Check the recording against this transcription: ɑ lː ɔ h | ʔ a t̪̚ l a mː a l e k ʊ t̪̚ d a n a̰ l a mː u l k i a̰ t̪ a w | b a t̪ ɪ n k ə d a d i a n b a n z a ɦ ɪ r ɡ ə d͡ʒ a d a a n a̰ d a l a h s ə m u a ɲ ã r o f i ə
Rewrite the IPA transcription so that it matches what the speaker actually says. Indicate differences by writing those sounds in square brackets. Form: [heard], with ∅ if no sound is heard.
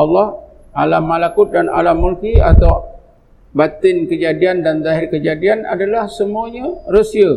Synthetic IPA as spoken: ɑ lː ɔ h | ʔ a [∅] l a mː a l [a] k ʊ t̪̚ d a n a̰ l a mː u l k i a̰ t̪ a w | b a t̪ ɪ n k ə [d͡ʒ] a d i a n [d] a n z a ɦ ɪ r [k] ə d͡ʒ a d [i] a n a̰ d a l a h s ə m u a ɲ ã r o [s] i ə